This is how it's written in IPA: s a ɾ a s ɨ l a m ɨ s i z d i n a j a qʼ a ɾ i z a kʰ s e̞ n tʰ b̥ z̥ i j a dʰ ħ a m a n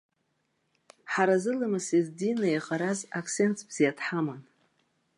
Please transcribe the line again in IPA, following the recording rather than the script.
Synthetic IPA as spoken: ħ a ɾ a z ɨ l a m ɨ s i z d i n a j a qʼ a ɾ a z a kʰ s e̞ n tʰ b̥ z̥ i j a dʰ ħ a m a n